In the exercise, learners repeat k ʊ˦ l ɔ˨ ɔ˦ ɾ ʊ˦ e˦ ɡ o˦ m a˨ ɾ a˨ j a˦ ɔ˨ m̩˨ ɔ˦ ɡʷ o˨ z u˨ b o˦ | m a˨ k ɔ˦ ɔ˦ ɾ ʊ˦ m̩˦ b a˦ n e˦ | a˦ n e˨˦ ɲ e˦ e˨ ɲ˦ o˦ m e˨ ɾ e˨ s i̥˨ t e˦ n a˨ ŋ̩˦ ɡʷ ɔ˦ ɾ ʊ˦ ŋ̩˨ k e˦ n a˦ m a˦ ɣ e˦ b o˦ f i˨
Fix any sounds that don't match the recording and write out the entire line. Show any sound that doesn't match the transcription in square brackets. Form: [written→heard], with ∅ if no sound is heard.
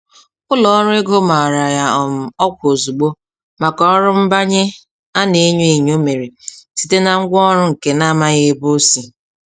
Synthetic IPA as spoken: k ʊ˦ l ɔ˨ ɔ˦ ɾ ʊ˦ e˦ ɡ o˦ m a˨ ɾ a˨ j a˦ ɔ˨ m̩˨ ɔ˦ [ɡʷ→kʷ] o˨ z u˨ [b→ɡ͡b] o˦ | m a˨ k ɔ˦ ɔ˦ ɾ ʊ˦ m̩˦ b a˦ [n→ɲ] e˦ | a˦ n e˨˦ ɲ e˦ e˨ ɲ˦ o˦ m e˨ ɾ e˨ s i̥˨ t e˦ n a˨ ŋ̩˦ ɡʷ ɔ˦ ɾ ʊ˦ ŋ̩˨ k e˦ n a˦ m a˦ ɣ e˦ b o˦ [f→s] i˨

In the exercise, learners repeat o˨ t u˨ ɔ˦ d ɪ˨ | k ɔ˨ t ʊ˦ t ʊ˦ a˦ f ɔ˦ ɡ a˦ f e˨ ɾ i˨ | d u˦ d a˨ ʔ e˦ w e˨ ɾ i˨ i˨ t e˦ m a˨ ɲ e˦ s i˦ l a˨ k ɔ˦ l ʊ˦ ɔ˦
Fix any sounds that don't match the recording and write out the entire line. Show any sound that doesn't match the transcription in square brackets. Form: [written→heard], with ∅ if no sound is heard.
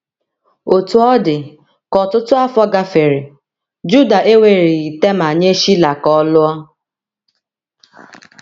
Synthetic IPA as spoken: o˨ t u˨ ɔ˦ d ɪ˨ | k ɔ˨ t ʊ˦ t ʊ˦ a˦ f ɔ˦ ɡ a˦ f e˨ ɾ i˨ | [d→d͡ʒ] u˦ d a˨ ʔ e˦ w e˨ ɾ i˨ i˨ t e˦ m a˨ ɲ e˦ [s→ʃ] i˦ l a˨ k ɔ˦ l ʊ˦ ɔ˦

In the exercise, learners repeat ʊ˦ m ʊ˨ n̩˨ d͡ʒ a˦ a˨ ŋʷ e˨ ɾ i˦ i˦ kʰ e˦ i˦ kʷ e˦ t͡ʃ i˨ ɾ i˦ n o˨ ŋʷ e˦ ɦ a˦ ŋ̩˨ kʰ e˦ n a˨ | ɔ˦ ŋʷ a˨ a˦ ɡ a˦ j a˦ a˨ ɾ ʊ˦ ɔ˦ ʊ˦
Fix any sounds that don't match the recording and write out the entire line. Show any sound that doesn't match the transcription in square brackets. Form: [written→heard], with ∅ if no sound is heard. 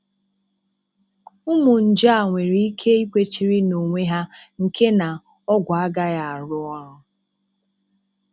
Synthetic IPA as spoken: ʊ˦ m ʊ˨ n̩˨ d͡ʒ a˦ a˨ ŋʷ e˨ ɾ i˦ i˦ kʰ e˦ i˦ kʷ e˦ t͡ʃ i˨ ɾ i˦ n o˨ ŋʷ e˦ ɦ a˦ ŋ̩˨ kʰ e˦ n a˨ | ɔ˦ [ŋʷ→ɡʷ] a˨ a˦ ɡ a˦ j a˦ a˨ ɾ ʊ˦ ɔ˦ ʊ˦

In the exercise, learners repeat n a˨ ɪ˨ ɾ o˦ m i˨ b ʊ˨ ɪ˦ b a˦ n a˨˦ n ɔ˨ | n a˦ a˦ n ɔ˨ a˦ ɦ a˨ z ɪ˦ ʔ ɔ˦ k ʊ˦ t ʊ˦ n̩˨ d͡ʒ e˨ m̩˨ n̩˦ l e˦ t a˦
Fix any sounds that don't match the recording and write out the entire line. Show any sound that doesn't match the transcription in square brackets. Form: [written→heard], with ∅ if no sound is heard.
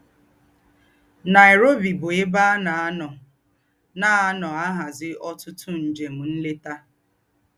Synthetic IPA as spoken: n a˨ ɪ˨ ɾ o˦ [m→b] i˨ b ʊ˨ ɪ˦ b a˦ n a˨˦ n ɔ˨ | n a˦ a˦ n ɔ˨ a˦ ɦ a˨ z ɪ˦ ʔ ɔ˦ [k→t] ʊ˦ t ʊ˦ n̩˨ d͡ʒ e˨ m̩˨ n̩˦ l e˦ t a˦

